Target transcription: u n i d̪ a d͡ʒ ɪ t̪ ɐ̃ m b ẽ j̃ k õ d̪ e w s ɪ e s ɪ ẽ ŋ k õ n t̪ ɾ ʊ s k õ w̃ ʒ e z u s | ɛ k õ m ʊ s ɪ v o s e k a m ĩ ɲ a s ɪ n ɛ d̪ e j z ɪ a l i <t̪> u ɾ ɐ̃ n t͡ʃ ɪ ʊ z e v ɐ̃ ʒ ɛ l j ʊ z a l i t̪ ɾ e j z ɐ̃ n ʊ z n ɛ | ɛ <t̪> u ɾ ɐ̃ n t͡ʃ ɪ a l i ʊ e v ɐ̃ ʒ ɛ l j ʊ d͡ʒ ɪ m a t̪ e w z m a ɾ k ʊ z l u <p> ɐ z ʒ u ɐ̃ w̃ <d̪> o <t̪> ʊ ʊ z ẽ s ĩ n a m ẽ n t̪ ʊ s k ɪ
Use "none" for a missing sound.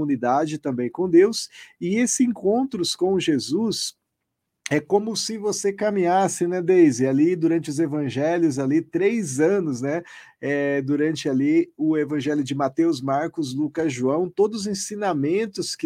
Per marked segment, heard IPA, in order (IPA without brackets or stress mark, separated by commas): d̪, d̪, k, t̪, d̪